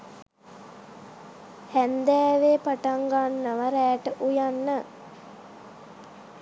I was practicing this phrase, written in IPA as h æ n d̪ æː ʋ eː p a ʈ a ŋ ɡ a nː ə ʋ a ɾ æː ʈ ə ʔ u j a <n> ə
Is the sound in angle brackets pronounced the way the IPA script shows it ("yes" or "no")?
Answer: no